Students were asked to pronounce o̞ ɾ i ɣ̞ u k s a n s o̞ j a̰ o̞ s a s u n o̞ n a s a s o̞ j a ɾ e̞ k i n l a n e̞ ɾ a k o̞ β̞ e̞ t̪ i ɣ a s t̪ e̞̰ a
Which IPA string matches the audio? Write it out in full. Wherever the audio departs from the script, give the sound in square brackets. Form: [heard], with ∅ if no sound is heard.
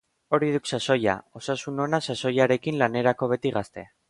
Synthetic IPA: o̞ ɾ i [ð̞] u k s a [∅] s o̞ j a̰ o̞ s a s u n o̞ n a s a s o̞ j a ɾ e̞ k i n l a n e̞ ɾ a k o̞ β̞ e̞ t̪ i ɣ a s t̪ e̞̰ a